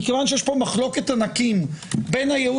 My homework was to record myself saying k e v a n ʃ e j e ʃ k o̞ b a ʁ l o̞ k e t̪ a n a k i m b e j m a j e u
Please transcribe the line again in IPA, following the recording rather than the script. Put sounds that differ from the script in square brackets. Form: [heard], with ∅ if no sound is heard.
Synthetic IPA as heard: k e v a n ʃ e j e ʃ [p] o̞ [m] a [χ] l o̞ k e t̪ a n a k i m b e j [n] a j e u